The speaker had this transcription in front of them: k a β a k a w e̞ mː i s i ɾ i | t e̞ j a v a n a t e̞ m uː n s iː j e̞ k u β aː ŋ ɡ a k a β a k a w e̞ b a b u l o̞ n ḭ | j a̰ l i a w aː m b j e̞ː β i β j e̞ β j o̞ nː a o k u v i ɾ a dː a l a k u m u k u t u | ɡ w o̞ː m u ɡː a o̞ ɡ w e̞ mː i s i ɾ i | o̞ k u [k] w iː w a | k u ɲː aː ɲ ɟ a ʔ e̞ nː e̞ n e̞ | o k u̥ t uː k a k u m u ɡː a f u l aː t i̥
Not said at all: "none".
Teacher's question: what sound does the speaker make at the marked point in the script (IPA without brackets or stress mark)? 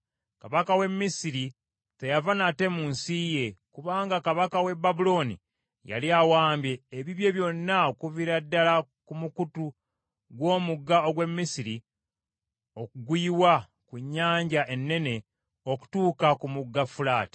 ɡ